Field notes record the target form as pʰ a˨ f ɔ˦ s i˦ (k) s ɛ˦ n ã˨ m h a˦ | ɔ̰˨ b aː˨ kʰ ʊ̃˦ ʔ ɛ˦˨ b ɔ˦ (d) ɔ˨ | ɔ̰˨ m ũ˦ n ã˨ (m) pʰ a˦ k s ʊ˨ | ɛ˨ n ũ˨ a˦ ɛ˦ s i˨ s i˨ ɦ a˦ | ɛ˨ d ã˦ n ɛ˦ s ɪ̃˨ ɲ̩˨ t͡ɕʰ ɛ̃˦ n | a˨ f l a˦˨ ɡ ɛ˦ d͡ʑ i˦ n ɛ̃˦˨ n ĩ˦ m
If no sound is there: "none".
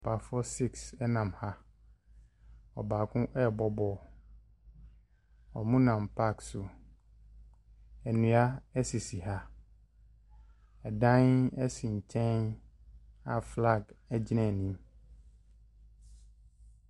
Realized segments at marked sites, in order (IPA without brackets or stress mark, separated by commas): k, b, m